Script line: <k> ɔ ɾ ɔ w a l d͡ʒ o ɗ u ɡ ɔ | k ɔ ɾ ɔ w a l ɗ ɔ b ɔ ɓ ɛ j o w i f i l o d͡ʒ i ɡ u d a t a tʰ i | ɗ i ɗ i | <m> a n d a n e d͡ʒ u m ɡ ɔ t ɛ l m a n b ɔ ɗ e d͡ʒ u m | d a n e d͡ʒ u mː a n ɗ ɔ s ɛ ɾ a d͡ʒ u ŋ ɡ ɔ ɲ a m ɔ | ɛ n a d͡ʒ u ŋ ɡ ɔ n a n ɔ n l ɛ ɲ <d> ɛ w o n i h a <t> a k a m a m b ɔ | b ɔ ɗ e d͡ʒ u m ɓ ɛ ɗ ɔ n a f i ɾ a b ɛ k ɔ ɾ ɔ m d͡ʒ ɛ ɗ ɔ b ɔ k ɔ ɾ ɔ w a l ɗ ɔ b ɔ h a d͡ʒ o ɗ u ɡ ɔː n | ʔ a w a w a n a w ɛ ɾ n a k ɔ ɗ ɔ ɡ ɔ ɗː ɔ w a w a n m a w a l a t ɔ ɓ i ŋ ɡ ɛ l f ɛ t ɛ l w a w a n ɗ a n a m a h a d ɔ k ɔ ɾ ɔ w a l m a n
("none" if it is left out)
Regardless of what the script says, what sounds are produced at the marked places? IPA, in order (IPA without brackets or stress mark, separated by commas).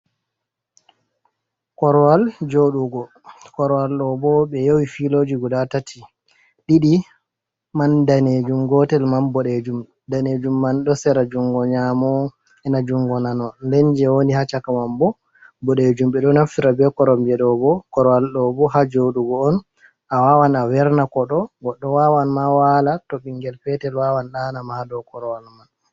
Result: k, m, d͡ʒ, t͡ʃ